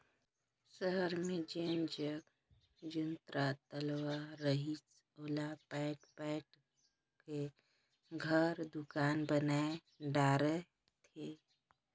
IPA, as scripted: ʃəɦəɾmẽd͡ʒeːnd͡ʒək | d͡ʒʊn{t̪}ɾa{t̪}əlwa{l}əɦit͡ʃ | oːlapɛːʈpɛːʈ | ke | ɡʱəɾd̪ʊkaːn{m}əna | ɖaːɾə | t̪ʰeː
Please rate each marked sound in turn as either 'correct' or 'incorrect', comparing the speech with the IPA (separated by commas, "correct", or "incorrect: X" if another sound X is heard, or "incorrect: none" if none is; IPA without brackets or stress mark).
correct, correct, incorrect: ɾ, incorrect: b